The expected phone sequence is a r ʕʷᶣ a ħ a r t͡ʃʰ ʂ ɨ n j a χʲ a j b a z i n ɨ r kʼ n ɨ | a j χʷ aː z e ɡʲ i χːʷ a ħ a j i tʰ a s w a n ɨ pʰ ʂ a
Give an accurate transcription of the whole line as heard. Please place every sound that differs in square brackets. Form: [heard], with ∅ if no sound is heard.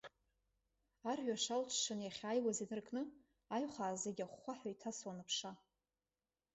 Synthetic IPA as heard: a r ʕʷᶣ a [ʂ] a [l] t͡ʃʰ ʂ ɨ n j a χʲ a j [w] a z i n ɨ r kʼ n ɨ | a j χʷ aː z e ɡʲ [a] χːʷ a ħ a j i tʰ a s w a n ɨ pʰ ʂ a

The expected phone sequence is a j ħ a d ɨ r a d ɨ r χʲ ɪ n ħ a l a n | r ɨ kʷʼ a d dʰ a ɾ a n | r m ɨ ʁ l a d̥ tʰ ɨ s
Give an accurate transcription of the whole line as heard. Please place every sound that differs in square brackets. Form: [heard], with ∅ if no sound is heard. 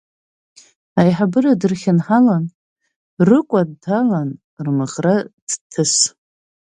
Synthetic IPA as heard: a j ħ a [b] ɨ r a d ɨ r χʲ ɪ n ħ a l a n | r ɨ kʷʼ a d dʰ a [l] a n | r m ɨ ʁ [r] a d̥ tʰ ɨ s

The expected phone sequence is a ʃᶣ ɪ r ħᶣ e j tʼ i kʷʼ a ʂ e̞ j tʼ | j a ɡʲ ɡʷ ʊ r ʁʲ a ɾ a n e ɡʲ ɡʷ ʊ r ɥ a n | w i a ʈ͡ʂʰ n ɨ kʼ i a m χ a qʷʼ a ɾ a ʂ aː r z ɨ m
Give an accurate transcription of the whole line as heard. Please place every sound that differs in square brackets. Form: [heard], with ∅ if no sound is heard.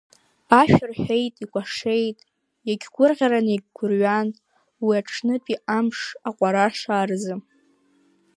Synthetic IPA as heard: a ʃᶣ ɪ r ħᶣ e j tʼ i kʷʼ a ʂ e̞ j tʼ | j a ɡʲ ɡʷ ʊ r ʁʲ a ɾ a n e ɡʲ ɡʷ ʊ r ɥ a n | w i a ʈ͡ʂʰ n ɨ [pʼ] i a m [ʂ] a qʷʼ a ɾ a ʂ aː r z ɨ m

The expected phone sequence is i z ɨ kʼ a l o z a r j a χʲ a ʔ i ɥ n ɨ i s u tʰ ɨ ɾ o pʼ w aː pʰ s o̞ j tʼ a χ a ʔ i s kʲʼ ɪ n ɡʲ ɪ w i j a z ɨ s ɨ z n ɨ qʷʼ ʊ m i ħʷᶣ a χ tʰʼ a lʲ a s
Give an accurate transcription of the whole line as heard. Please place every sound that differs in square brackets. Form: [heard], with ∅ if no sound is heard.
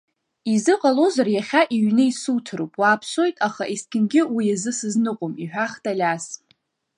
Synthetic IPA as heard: i z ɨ [qʼ] a l o z a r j a χʲ a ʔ i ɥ n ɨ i s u tʰ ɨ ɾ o pʼ w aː pʰ s o̞ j tʼ a χ a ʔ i s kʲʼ ɪ n ɡʲ ɪ w i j a z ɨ s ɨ z n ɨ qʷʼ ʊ m i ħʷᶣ a χ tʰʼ a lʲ a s

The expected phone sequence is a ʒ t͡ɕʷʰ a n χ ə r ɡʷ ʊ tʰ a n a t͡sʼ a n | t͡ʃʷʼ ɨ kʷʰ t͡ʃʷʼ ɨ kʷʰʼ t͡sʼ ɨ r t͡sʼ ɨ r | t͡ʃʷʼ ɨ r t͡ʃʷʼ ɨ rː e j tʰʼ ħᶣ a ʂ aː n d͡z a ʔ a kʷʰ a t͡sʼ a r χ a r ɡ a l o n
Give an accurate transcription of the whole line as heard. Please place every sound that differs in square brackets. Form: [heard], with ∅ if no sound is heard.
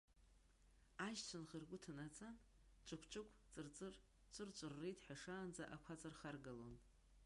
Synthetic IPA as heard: a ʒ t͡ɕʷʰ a n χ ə r ɡʷ ʊ tʰ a n a t͡sʼ a n | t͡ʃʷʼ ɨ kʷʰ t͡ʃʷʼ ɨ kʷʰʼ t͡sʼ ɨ r t͡sʼ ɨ r | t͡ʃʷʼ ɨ r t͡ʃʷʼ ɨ rː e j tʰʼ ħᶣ a ʂ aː n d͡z a ʔ a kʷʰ a t͡sʼ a r χ a r ɡ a l o n

